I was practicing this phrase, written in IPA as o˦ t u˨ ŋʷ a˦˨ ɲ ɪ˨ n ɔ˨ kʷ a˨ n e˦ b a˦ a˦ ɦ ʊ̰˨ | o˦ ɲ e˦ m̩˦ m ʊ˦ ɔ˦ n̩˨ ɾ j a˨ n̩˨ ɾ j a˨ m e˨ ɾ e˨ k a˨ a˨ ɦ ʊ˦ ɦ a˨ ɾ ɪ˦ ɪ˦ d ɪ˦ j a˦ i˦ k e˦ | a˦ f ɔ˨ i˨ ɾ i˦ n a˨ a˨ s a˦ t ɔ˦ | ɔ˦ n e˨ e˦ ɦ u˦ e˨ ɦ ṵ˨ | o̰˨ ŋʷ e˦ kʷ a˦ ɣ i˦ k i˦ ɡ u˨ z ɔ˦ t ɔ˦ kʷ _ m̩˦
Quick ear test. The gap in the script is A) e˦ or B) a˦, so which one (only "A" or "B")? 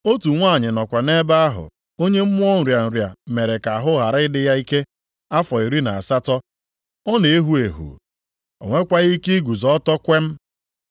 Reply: A